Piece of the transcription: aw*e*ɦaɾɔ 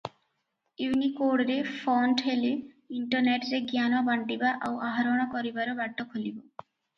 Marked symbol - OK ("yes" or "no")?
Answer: no